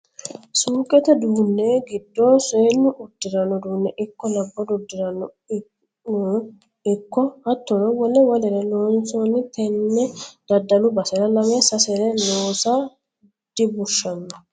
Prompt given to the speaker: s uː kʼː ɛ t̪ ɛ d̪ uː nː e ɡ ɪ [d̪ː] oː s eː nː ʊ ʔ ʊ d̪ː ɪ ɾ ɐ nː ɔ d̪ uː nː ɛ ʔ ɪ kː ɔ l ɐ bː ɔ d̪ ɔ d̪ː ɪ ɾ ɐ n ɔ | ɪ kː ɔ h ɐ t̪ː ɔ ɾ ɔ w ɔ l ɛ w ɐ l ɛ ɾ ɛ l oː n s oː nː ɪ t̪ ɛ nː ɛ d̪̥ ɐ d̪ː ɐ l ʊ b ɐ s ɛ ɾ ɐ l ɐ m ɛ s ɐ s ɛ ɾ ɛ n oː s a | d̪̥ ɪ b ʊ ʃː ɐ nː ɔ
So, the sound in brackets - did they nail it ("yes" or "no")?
yes